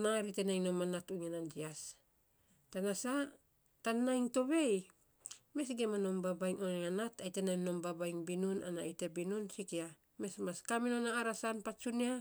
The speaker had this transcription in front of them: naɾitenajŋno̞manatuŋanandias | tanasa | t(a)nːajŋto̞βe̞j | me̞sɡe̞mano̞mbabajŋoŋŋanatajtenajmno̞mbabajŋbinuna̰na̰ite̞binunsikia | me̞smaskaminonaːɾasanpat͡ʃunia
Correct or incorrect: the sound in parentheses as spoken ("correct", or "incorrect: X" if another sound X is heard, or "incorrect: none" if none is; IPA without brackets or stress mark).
correct